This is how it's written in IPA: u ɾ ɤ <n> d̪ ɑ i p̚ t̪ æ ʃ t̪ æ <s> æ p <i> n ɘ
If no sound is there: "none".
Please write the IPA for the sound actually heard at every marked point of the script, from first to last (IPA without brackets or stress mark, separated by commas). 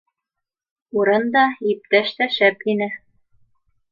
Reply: n, ʃ, i